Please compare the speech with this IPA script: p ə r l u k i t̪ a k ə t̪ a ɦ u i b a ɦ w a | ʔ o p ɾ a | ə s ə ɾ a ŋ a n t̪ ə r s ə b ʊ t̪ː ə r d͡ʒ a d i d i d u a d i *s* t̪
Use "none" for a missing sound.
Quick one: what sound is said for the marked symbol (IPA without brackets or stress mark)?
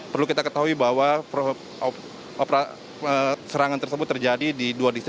s